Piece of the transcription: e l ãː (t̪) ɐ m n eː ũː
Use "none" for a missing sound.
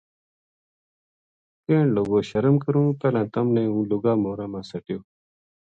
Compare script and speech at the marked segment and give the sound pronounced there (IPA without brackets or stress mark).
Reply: t̪